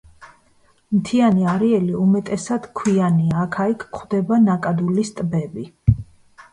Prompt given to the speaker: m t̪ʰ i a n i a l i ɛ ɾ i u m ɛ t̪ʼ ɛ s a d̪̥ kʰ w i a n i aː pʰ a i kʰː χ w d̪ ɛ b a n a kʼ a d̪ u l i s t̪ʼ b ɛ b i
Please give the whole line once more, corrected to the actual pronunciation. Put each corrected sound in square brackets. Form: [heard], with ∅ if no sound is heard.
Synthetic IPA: m t̪ʰ i a n i a [ɾ] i ɛ [l] i u m ɛ t̪ʼ ɛ s a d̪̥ kʰ w i a n i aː [kʰ] a i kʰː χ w d̪ ɛ b a n a kʼ a d̪ u l i s t̪ʼ b ɛ b i